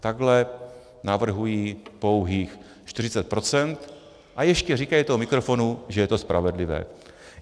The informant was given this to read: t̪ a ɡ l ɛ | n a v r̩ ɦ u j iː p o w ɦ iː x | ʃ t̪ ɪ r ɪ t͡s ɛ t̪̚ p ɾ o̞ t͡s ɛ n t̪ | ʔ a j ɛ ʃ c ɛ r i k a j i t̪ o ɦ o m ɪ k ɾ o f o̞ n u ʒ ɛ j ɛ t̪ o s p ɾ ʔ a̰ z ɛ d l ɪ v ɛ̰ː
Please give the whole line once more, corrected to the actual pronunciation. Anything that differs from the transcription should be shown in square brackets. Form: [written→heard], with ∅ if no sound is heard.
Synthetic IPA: t̪ a ɡ l ɛ | n a v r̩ ɦ u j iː p o w ɦ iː x | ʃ t̪ ɪ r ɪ t͡s ɛ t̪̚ p ɾ o̞ t͡s ɛ n t̪ | ʔ a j ɛ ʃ c ɛ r i k a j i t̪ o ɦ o m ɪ k ɾ o f o̞ n u ʒ ɛ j ɛ t̪ o s p ɾ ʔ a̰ [z→v] ɛ d l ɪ v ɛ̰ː